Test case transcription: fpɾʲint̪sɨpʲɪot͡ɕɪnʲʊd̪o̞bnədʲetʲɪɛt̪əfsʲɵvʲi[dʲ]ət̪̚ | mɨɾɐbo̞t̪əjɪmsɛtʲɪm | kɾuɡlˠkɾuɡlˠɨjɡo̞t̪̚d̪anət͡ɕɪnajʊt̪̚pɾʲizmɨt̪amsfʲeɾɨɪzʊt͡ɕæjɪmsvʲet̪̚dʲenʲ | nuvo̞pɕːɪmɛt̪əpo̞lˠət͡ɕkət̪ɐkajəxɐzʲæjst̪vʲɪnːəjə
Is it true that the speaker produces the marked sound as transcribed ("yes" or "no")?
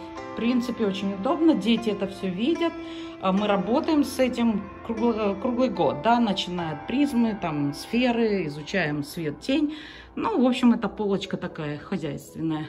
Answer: yes